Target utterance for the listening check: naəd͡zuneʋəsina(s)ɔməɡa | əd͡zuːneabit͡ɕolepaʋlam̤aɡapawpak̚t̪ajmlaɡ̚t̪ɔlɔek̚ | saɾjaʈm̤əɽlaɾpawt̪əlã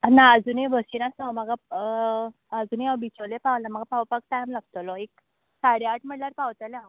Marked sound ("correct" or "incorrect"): correct